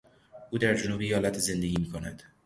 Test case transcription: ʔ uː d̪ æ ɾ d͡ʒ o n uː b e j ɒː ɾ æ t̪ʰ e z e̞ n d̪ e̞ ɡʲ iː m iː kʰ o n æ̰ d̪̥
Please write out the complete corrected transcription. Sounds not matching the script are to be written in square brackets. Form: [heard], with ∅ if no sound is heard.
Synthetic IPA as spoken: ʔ uː d̪ æ ɾ d͡ʒ o n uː b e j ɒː [l] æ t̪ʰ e z e̞ n d̪ e̞ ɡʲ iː m iː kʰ o n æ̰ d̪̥

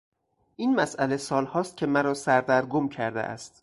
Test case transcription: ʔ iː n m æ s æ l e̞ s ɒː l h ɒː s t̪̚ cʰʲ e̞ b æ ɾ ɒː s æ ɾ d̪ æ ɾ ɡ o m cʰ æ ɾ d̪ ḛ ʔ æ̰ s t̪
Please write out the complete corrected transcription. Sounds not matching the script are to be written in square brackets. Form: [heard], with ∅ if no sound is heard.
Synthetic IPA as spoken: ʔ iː n m æ s æ l e̞ s ɒː l h ɒː s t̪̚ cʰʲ e̞ [m] æ ɾ ɒː s æ ɾ d̪ æ ɾ ɡ o m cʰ æ ɾ d̪ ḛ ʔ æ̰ s t̪

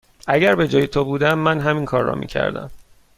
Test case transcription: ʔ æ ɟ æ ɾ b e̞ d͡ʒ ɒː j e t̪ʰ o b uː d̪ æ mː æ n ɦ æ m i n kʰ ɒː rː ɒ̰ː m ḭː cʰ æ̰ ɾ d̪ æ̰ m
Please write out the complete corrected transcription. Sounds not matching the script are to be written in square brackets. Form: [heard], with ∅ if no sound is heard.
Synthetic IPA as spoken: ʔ æ ɟ æ ɾ b e̞ d͡ʒ ɒː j e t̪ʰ o b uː d̪ æ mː æ n ɦ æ m i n kʰ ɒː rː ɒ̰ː m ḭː cʰ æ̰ ɾ d̪ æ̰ m

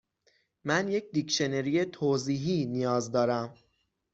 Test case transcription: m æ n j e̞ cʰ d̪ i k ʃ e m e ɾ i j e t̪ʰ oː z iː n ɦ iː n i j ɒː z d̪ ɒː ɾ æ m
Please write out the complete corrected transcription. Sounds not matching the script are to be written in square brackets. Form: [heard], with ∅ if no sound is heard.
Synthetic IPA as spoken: m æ n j e̞ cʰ d̪ i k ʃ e [n] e ɾ i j e t̪ʰ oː z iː [∅] ɦ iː n i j ɒː z d̪ ɒː ɾ æ m

